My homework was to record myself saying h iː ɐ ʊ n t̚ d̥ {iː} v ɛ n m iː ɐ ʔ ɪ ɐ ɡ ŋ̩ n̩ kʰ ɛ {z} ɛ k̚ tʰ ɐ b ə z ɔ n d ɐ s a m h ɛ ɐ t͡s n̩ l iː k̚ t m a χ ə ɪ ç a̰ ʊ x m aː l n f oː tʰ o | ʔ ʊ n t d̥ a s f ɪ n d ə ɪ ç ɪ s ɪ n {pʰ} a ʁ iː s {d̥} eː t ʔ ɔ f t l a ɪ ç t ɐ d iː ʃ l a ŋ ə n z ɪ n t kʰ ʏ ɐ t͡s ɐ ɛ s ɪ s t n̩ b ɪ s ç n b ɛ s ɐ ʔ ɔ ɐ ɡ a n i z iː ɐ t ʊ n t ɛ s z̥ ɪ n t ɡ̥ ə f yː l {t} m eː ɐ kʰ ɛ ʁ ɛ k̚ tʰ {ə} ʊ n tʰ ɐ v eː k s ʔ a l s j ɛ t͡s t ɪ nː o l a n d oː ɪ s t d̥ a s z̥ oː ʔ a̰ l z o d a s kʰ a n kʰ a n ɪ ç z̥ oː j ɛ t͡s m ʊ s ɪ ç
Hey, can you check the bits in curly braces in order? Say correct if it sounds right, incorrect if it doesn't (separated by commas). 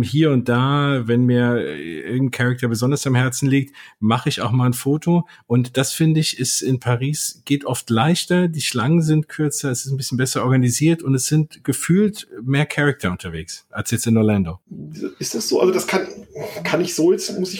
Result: incorrect, incorrect, correct, incorrect, correct, incorrect